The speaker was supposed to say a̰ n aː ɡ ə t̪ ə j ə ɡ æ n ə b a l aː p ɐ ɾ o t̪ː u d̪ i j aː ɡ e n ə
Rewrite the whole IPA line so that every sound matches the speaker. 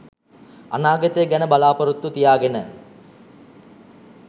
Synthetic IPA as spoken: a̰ n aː ɡ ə t̪ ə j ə ɡ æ n ə b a l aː p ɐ ɾ u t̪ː u t̪ i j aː ɡ e n ə